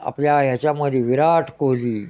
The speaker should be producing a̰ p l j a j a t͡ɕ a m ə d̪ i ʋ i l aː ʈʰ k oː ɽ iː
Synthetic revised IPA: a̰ p l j a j a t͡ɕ a m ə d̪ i ʋ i ɾ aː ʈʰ k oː l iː